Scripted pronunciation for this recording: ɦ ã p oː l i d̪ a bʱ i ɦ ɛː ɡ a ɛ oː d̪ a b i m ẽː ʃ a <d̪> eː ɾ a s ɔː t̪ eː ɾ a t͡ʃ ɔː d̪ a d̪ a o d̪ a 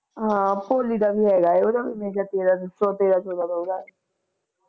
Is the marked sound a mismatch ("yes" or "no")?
yes